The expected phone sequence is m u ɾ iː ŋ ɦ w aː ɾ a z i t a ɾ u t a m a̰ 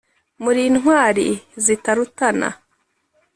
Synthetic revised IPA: m u ɾ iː n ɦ w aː ɾ i z i t a ɾ u t a n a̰